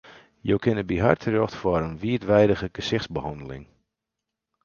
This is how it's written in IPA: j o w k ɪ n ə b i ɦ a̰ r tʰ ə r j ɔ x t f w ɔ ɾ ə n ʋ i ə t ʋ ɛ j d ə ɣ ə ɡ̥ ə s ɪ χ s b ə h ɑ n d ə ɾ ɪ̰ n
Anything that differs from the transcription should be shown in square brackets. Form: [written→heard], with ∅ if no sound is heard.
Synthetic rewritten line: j o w k ɪ n ə b i ɦ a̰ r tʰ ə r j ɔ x t f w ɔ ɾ ə n ʋ i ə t ʋ ɛ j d ə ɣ ə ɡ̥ ə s ɪ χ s b ə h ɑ n d ə [ɾ→l] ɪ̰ [n→ŋ]